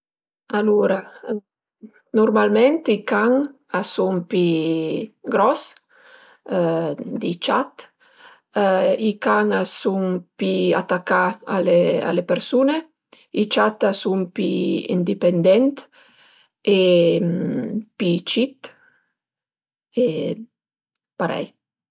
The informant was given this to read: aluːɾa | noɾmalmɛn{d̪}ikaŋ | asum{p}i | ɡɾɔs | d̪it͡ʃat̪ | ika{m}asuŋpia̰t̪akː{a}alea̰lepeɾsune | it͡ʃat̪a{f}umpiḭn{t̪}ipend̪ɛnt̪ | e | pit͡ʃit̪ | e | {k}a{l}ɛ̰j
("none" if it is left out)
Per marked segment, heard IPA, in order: t̪, p, ŋ, a, s, d̪, p, ɾ

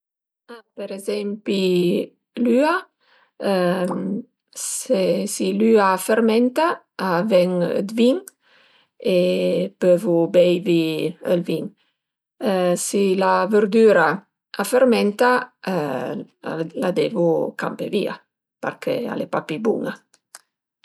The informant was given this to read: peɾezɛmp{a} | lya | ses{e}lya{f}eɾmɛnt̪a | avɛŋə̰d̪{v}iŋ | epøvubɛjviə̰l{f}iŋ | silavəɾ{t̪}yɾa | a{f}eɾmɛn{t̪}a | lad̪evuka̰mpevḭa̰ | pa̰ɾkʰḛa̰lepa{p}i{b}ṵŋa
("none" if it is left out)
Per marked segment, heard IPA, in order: i, i, f, v, v, d̪, f, t̪, p, b

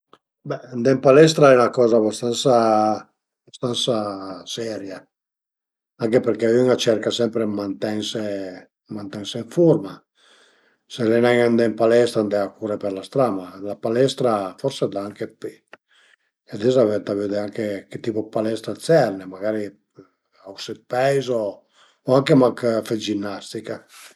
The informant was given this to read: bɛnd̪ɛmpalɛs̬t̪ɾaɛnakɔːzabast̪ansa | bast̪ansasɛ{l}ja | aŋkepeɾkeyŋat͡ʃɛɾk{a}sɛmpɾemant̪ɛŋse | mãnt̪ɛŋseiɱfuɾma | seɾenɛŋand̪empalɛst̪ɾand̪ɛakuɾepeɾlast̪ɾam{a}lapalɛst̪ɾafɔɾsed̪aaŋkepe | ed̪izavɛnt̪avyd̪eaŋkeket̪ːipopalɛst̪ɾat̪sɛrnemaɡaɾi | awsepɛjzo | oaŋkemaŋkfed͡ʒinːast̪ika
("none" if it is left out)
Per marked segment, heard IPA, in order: ɾ, a, a

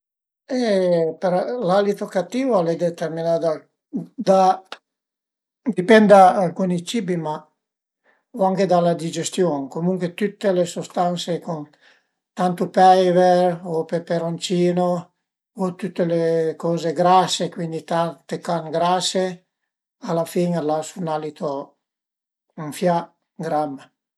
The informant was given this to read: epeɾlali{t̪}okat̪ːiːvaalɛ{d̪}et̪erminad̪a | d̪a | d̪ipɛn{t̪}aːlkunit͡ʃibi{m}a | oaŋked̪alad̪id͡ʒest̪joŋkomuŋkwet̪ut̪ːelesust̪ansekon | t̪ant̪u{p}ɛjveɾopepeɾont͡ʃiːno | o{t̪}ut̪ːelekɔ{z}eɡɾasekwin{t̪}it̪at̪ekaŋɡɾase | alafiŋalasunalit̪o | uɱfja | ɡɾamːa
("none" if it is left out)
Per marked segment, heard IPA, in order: t̪, d̪, d̪, m, p, t̪, z, d̪

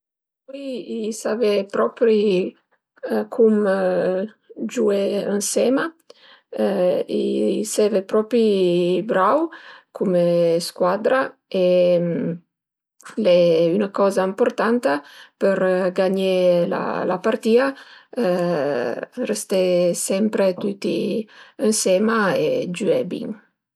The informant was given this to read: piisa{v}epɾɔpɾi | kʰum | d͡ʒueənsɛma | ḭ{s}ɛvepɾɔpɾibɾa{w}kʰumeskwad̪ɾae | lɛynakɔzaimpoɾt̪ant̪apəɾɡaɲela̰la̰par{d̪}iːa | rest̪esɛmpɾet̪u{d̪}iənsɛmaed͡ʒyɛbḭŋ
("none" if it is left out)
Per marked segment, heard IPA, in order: v, s, w, t̪, t̪

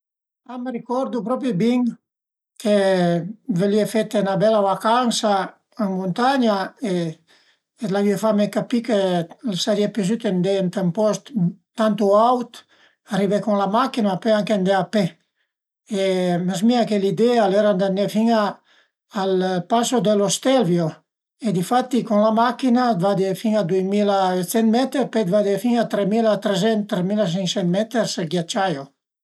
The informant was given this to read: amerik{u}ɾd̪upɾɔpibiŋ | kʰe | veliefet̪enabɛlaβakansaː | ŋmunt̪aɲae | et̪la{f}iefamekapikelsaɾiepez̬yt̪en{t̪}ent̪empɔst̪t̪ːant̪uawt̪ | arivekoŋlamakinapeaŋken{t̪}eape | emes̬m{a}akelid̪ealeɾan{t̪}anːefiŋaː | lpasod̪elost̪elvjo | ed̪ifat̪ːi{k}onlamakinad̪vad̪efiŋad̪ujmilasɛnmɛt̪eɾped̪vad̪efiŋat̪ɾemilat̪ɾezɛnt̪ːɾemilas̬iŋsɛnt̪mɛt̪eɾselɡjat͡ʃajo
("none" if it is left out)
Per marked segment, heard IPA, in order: ɔ, v, d̪, d̪, i, d̪, k

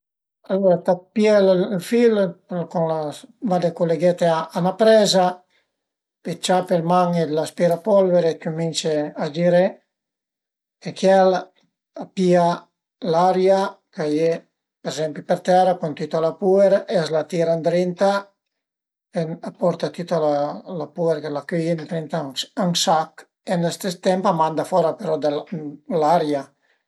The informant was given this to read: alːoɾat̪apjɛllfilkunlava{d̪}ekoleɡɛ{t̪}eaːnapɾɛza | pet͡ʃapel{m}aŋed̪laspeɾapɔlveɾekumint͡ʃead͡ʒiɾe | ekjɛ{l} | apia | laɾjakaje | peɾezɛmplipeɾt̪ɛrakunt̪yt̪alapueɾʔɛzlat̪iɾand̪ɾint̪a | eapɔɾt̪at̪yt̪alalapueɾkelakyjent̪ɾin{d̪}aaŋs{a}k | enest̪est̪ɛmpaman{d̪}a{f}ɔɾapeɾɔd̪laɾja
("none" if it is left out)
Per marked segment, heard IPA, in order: d̪, t̪, m, l, t̪, a, d̪, f

